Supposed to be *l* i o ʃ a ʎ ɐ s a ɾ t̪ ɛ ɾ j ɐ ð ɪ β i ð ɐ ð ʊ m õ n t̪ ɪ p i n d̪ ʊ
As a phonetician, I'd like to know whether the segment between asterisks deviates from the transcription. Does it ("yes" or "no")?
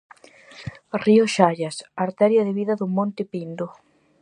yes